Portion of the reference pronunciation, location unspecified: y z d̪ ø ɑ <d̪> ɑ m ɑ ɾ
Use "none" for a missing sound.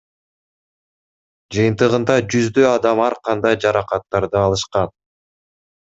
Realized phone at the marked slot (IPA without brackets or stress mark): d̪